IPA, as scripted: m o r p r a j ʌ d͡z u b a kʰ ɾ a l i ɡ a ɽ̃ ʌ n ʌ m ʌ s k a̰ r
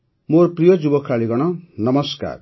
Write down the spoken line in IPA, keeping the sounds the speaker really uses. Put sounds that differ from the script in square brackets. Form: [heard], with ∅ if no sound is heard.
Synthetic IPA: m o r p r [i] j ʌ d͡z u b [ʌ] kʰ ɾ a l i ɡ [ʌ] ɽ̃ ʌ n ʌ m ʌ s k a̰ r